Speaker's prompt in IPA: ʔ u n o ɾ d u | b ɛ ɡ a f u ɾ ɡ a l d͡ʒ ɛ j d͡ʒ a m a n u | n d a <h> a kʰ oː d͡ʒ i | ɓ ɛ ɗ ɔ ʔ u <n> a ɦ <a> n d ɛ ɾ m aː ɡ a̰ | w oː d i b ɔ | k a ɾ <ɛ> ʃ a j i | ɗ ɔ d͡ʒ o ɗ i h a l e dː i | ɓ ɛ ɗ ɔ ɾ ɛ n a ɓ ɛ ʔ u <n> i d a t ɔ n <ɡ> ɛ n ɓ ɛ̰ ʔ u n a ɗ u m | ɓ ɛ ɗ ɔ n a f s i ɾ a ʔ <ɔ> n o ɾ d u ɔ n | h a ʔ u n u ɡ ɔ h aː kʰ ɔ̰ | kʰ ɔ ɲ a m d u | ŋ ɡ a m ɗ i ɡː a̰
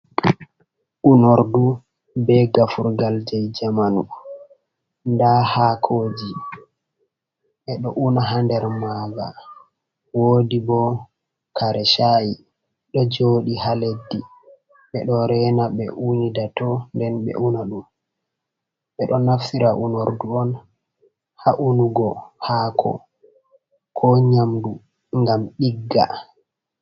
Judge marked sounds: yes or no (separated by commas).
yes, yes, yes, yes, yes, no, no